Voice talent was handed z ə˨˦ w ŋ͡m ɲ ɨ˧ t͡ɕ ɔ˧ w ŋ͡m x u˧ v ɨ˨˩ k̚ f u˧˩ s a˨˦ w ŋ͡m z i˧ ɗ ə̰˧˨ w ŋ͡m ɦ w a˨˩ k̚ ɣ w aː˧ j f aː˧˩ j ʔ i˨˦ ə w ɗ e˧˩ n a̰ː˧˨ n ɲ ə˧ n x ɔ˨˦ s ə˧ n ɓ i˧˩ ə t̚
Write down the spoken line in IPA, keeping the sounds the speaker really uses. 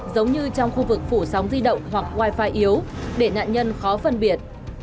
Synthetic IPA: z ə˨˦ w ŋ͡m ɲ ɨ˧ t͡ɕ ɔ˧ w ŋ͡m x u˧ v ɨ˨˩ k̚ f u˧˩ s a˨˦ w ŋ͡m z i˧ ɗ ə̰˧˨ w ŋ͡m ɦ w a˨˩ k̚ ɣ w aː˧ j f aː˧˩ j ʔ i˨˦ ə w ɗ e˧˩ n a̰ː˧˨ n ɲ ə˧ n x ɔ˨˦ f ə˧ n ɓ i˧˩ ə t̚